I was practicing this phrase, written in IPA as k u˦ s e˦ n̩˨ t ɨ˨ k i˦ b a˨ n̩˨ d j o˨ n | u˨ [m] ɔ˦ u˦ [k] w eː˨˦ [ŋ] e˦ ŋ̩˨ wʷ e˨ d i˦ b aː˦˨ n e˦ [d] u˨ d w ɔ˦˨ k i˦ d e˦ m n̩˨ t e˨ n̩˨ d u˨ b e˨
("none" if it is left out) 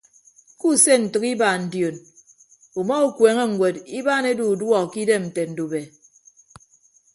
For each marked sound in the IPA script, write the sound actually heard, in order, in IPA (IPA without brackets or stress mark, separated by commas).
m, k, ŋ, d